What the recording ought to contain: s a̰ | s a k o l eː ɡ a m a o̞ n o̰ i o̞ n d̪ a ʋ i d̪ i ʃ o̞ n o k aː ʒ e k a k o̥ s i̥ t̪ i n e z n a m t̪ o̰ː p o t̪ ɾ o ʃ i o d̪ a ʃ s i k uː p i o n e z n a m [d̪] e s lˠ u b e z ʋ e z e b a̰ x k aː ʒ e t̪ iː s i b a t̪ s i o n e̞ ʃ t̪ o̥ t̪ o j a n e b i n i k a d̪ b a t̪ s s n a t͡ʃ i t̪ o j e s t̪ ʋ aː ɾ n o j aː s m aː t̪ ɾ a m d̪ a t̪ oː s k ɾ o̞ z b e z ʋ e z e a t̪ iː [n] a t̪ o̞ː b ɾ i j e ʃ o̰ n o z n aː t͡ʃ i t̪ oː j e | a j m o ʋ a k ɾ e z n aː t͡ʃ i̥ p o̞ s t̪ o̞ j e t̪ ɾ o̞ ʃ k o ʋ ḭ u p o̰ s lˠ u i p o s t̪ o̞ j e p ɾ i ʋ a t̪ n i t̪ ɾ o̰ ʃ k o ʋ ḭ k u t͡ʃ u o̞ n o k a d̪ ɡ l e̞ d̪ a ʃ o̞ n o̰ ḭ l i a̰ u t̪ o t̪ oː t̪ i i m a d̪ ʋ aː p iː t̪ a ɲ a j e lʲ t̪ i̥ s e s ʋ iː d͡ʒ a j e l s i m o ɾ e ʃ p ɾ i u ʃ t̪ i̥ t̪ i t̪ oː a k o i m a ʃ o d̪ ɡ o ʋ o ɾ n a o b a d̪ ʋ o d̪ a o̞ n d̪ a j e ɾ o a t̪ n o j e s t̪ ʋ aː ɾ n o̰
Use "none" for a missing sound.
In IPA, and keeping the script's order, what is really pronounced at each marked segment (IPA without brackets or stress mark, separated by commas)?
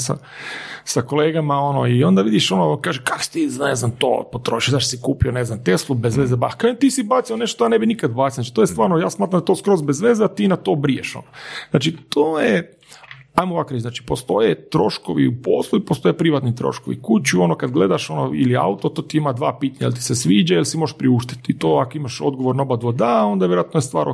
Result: t̪, n